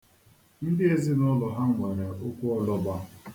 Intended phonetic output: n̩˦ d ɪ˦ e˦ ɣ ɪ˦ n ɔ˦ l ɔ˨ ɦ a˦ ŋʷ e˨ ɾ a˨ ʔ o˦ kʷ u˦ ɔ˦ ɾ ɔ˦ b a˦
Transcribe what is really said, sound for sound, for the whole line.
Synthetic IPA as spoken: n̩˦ d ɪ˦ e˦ z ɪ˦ n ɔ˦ l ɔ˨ ɦ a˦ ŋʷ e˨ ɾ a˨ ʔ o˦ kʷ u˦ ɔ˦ l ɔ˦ b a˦